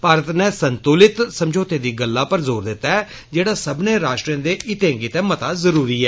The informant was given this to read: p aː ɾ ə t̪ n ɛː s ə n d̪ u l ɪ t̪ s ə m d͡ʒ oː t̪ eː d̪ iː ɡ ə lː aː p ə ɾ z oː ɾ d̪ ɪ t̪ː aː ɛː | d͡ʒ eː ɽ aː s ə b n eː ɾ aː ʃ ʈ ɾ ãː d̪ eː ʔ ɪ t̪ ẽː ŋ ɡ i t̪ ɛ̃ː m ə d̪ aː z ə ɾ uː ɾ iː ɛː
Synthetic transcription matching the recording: p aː ɾ ə t̪ n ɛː s ə n t̪ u l ɪ t̪ s ə m d͡ʒ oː t̪ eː d̪ iː ɡ ə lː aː p ə ɾ z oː ɾ d̪ ɪ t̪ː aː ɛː | d͡ʒ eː ɽ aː s ə b n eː ɾ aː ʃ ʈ ɾ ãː d̪ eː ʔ ɪ t̪ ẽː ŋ ɡ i t̪ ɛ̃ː m ə t̪ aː z ə ɾ uː ɾ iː ɛː